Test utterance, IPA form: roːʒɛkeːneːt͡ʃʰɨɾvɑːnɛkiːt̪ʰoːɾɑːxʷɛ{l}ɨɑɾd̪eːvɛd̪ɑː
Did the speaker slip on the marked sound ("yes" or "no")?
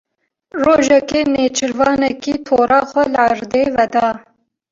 no